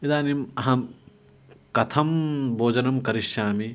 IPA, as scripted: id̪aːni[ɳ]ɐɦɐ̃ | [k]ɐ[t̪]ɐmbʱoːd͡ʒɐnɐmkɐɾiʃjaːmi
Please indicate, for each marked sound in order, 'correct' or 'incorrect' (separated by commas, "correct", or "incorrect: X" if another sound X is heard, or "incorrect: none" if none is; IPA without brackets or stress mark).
incorrect: m, correct, incorrect: t̪ʰ